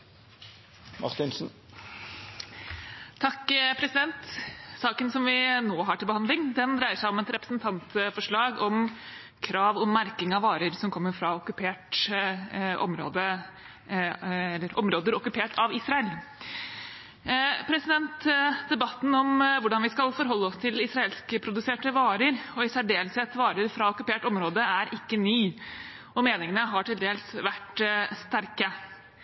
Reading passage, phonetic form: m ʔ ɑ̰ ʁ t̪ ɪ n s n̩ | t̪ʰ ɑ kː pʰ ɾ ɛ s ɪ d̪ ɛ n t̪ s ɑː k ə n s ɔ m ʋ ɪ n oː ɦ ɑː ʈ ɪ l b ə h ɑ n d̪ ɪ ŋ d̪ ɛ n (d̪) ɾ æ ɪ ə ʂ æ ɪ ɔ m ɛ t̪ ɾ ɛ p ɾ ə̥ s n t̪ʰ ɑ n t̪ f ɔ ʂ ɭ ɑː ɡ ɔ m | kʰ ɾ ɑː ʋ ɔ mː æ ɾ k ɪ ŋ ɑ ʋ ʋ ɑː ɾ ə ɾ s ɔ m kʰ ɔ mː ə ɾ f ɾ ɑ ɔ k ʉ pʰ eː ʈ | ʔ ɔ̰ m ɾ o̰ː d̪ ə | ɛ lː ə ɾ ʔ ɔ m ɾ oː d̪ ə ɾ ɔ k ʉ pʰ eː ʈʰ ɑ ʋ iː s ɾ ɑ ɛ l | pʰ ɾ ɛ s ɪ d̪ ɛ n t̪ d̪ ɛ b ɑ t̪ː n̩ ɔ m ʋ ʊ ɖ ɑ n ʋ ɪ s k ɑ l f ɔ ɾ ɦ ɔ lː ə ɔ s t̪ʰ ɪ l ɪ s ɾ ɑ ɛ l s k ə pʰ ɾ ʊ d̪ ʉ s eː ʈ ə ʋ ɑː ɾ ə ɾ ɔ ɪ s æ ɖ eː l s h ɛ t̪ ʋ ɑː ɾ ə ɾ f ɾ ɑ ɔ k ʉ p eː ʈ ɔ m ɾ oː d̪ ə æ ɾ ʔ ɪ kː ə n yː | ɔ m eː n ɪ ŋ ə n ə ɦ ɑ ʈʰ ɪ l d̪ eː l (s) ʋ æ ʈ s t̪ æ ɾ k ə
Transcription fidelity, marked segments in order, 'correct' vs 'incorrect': correct, correct

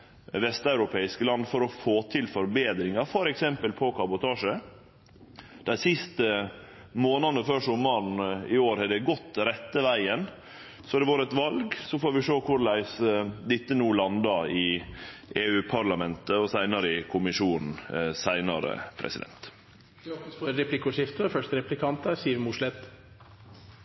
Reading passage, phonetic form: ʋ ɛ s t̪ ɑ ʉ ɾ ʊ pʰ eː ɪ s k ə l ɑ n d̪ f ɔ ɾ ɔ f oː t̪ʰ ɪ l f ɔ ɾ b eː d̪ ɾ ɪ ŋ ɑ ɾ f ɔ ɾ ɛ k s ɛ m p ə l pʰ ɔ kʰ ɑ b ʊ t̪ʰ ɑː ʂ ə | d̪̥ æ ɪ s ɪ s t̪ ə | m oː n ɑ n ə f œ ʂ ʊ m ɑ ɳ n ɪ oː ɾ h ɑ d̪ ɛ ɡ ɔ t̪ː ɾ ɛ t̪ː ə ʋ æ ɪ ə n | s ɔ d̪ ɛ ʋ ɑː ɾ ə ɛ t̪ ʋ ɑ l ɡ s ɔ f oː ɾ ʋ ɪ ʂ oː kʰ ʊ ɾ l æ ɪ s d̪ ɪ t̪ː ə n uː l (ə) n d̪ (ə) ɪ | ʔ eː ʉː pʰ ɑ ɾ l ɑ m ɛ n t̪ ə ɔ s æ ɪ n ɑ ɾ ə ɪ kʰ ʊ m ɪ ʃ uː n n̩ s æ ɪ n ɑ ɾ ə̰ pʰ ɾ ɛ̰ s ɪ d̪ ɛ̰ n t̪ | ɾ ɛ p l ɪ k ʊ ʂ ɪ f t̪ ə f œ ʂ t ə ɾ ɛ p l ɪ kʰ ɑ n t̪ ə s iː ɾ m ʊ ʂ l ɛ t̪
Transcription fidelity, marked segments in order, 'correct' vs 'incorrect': incorrect: ɑ, incorrect: ɑ

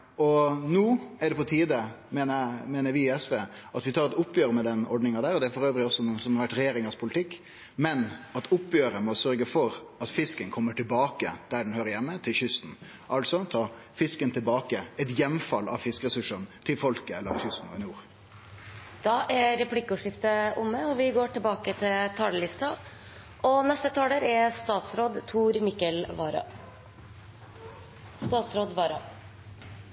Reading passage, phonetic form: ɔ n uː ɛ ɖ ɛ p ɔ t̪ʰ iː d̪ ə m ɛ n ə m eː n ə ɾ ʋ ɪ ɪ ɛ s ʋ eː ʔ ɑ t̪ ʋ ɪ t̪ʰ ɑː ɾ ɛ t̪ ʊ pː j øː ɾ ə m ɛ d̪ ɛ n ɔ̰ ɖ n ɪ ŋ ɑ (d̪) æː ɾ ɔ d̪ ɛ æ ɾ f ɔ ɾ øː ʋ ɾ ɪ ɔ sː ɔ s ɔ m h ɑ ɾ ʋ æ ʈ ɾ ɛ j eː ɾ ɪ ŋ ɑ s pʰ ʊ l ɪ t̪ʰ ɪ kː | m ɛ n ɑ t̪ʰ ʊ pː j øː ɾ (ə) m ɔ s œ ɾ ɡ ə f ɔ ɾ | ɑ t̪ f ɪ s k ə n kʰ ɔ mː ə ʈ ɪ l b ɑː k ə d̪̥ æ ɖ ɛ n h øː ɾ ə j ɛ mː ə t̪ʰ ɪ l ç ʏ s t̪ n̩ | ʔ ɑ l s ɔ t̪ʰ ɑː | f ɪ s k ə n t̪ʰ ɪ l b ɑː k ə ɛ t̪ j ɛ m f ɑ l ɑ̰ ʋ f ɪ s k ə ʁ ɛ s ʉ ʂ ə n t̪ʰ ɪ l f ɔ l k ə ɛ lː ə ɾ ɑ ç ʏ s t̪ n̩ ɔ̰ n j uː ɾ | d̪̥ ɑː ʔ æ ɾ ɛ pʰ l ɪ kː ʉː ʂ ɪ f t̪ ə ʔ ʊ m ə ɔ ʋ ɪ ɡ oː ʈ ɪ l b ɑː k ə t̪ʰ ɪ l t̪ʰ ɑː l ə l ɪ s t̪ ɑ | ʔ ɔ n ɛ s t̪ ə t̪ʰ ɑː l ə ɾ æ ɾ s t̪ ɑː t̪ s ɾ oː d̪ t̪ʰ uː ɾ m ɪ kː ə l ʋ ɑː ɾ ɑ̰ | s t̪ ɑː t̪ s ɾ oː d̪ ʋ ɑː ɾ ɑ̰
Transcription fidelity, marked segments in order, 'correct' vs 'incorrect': correct, correct

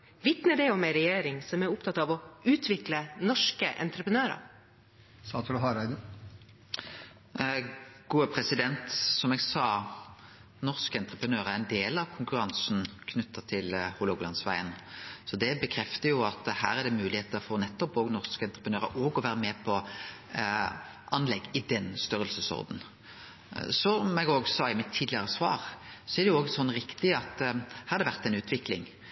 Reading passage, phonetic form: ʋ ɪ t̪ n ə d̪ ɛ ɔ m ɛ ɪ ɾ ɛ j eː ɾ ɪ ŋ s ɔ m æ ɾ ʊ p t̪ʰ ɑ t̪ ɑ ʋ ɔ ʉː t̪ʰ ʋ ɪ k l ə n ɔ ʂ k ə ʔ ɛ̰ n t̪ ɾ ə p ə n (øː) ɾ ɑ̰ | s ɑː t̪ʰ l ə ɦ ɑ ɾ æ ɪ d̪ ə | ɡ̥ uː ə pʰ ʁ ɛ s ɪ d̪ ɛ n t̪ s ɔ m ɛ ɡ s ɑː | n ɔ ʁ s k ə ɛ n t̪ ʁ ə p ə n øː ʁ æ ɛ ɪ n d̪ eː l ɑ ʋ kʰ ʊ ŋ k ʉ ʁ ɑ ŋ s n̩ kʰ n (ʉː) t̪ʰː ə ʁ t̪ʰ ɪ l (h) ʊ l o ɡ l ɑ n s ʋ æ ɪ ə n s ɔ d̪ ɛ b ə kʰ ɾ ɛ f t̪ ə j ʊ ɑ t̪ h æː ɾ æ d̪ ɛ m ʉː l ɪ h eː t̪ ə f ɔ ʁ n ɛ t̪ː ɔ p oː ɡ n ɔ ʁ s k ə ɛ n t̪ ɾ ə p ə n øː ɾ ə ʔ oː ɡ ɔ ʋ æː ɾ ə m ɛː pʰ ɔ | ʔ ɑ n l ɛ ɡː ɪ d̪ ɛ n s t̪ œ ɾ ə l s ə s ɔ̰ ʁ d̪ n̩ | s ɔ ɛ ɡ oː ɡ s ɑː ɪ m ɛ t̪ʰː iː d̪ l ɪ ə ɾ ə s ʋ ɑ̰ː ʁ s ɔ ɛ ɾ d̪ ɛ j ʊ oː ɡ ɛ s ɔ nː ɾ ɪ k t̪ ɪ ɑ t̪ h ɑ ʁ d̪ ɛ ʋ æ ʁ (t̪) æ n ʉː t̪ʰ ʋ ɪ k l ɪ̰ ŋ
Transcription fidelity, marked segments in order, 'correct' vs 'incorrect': correct, incorrect: ʉ, correct, correct

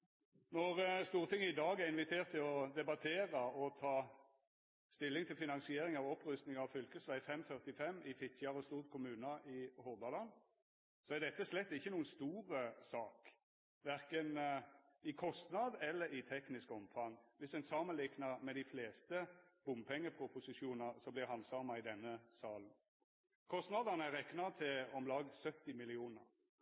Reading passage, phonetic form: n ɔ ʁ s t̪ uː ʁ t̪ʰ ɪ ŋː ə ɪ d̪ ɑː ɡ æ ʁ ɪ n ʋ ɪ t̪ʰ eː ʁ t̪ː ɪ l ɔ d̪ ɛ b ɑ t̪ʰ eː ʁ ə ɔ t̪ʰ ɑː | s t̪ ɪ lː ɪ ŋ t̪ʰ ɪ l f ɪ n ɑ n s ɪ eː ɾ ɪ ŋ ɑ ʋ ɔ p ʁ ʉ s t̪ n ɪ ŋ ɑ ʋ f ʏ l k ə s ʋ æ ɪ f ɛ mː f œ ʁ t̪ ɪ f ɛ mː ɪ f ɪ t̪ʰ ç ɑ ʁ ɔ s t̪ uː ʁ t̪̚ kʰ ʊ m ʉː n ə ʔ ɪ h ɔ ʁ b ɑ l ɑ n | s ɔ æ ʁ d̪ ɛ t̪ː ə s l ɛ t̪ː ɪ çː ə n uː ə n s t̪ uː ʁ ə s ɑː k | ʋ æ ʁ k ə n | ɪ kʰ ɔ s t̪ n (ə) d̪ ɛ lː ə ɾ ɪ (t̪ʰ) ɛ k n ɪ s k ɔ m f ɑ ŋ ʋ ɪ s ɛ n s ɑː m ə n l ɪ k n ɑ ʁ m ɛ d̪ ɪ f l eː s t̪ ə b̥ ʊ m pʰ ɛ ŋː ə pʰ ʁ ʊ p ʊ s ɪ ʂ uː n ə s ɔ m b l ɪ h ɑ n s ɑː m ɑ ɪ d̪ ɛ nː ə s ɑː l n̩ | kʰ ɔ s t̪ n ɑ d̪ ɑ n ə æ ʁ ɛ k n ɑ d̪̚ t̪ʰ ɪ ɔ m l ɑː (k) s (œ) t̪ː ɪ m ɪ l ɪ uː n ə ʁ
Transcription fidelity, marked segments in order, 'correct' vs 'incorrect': incorrect: ɑ, correct, incorrect: ɡ, correct

